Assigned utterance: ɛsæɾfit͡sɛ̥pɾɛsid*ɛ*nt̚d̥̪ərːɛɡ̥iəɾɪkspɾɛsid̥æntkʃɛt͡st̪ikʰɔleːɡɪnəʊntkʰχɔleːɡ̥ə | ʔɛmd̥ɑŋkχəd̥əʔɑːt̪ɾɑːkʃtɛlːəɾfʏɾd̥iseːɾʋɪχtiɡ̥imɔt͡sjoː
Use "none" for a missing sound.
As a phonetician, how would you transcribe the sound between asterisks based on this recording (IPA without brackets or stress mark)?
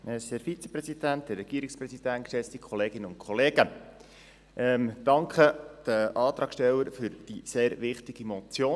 æ